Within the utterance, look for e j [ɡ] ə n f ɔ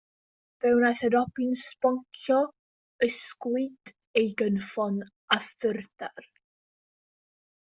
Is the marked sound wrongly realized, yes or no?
no